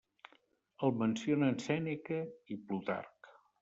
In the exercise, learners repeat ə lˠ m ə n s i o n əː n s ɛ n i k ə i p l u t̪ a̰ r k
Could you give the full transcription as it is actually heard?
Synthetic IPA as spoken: ə lˠ m ə n s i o n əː n s ɛ n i k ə i p l u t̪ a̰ r k

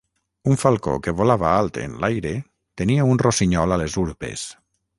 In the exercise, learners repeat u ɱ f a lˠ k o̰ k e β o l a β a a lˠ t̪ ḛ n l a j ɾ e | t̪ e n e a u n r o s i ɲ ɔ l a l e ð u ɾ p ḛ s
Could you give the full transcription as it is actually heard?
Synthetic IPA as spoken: u ɱ f a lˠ k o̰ k e β o l a β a a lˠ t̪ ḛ n l a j ɾ e | t̪ e n i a u n r o s i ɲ ɔ l a l e z u ɾ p ḛ s

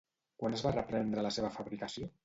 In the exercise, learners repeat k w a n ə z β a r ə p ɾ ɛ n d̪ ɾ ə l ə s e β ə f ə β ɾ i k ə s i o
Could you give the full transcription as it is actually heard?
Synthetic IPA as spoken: k w a n ə z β a r ə p ɾ ɛ n d̪ ɾ ə l ə s e β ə f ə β ɾ i k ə s i o

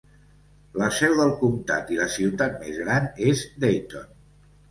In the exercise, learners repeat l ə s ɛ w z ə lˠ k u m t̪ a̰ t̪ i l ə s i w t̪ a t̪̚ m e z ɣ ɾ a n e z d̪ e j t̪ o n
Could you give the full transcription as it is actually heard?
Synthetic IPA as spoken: l ə s ɛ w ð ə lˠ k u m t̪ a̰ t̪ i l ə s i w t̪ a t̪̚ m e z ɣ ɾ a n e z d̪ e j t̪ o n

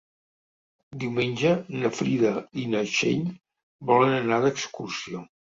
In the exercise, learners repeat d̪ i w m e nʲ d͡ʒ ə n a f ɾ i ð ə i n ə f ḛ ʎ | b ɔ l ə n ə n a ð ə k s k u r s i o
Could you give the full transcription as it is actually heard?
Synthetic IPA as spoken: d̪ i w m e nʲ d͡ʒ ə n ə f ɾ i ð ə i n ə ʃ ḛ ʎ | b ɔ l ə n ə n a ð ə k s k u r s i o

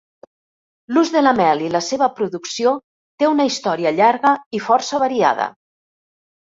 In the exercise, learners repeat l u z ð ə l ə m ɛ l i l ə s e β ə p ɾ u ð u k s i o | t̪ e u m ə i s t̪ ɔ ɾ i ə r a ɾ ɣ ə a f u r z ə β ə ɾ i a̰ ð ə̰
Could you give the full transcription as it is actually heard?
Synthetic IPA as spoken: l u z ð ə l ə m ɛ l i l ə s e β ə p ɾ u ð u k s i o | t̪ e u n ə i s t̪ ɔ ɾ i ə ʎ a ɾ ɣ ə i f ɔ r s ə β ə ɾ i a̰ ð ə̰

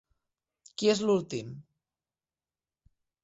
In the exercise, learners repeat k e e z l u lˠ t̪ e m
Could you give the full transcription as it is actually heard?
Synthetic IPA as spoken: k i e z l u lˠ t̪ i m

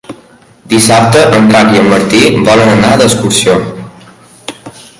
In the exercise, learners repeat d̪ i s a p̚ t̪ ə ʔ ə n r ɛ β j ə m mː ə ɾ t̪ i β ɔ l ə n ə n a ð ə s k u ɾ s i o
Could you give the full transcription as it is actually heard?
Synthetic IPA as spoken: d̪ i s a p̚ t̪ ə ʔ ə n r a β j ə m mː ə ɾ t̪ i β ɔ l ə n ə n a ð ə s k u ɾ s i o

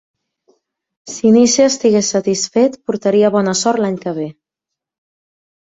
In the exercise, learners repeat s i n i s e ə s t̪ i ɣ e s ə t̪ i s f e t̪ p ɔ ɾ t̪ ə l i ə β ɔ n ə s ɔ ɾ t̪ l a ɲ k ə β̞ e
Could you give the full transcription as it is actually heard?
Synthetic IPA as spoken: s i n i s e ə s t̪ i ɣ e s ə t̪ i s f e t̪ p u ɾ t̪ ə ɾ i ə β ɔ n ə s ɔ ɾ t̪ l a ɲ k ə β̞ e

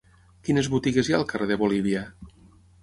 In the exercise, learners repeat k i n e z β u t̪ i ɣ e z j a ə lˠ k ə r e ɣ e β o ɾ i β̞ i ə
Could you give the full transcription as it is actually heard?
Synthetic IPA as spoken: k i n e z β u t̪ i ɣ e z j a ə lˠ k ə r e ð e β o l i β̞ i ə

